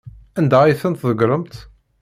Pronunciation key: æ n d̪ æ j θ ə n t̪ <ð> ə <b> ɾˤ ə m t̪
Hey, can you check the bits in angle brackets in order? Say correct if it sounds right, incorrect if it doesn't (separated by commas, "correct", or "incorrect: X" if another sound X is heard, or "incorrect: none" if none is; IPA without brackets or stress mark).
correct, incorrect: ɡ